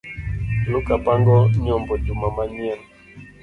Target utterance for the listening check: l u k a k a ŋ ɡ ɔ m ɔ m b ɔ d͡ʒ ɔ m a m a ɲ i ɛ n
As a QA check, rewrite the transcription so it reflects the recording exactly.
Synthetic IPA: l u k a p a ŋ ɡ ɔ ɲ ɔ m b ɔ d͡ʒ u m a m a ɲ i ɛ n

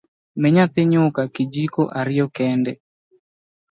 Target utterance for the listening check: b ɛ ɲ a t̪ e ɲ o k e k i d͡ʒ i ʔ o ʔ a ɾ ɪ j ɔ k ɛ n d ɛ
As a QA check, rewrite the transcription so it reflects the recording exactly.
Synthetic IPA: m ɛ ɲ a t̪ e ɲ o k a k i d͡ʒ i k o ʔ a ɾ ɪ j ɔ k ɛ n d ɛ

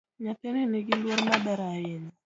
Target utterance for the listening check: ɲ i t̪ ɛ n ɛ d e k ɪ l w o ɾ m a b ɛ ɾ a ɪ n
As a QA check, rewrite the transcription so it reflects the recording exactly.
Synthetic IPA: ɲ a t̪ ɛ n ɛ n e ɡ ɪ l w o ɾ m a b ɛ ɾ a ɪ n

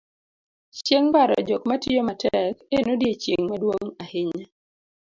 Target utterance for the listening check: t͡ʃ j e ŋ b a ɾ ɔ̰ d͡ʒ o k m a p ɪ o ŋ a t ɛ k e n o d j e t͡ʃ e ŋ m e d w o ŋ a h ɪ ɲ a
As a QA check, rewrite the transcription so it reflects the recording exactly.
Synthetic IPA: t͡ʃ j e ŋ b a ɾ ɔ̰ d͡ʒ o k m a t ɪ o m a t ɛ k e n o d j e t͡ʃ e ŋ m a d w o ŋ a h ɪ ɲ a

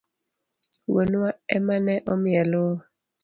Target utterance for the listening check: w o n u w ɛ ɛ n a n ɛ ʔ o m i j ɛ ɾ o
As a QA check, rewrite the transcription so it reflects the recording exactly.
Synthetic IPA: w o n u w a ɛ m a n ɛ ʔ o m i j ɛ l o

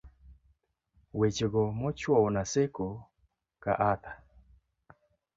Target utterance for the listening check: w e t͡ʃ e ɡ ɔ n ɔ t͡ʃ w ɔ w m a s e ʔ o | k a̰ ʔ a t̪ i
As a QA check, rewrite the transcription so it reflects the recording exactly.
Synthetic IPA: w e t͡ʃ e ɡ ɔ m ɔ t͡ʃ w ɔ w n a s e k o | k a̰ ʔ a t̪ a

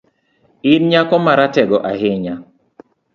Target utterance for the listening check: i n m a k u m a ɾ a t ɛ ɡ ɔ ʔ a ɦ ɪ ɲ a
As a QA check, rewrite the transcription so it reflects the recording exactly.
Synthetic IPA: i n ɲ a k ɔ m a ɾ a t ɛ ɡ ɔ ʔ a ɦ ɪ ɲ a

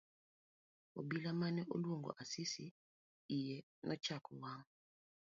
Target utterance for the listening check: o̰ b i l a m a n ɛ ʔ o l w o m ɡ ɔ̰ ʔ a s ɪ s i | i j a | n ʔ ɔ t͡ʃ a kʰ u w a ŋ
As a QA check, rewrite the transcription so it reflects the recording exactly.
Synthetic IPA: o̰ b i l a m a n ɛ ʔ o l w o ŋ ɡ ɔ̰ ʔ a s i s i | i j ɛ | n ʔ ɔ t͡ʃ a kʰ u w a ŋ

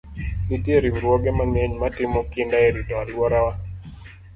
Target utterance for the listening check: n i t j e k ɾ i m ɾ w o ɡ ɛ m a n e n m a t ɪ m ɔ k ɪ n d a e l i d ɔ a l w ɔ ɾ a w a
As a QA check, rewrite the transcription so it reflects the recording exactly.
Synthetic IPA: n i t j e ɾ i m ɾ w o ɡ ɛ m a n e ɲ m a t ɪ m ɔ k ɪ n d a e ɾ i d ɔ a l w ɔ ɾ a w a

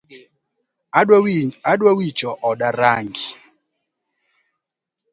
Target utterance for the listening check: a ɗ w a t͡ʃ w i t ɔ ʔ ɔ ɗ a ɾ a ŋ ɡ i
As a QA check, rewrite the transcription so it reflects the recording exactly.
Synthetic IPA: a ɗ w a w i t͡ʃ ɔ ʔ ɔ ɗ a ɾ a ŋ ɡ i

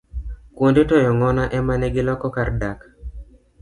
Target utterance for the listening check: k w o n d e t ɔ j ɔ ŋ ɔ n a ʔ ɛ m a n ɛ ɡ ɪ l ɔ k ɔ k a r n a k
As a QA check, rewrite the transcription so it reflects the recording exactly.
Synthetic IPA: k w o n d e t ɔ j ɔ ŋ ɔ n a ʔ ɛ m a n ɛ ɡ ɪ l ɔ k ɔ k a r d a k

